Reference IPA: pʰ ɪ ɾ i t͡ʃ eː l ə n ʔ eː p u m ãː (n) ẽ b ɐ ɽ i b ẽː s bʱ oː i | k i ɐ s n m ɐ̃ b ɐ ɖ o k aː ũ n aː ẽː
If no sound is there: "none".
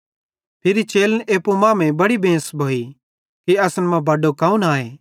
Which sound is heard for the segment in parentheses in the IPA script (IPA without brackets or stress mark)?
m